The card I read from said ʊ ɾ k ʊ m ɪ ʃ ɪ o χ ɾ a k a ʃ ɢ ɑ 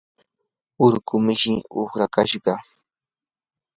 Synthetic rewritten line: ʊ ɾ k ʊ m ɪ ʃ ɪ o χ ɾ a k a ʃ ɢ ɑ